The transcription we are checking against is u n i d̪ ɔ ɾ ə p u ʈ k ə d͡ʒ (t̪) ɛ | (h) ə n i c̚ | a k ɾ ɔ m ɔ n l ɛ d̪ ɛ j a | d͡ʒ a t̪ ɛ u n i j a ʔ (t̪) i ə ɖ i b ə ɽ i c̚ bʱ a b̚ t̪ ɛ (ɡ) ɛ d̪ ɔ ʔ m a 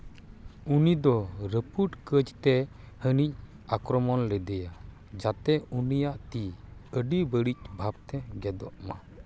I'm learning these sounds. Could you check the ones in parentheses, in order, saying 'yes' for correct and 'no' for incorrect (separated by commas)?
yes, yes, yes, yes